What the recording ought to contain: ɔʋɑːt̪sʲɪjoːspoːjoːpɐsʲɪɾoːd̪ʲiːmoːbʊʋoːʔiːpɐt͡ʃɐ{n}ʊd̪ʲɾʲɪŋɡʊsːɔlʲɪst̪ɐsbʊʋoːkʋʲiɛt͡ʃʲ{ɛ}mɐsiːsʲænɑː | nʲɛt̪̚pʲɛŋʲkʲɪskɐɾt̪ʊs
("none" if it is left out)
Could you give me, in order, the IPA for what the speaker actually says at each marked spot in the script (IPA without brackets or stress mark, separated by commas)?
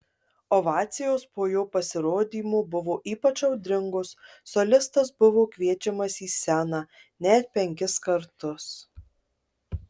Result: none, ɛ